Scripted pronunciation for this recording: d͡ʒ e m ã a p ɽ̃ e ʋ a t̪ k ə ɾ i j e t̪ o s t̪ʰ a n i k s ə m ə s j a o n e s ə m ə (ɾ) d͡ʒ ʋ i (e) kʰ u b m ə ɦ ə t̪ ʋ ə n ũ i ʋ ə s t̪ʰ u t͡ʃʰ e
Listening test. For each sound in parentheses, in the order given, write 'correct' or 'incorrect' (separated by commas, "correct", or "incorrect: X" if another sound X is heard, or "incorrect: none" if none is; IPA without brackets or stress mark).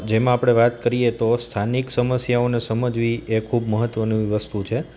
incorrect: none, correct